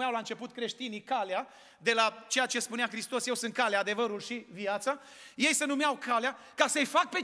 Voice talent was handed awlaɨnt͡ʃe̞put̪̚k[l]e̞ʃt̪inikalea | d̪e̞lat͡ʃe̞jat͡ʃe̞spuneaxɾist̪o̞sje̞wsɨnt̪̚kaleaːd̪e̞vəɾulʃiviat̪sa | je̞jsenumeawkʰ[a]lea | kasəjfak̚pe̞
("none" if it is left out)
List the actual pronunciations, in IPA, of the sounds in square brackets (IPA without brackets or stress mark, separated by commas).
ɾ, a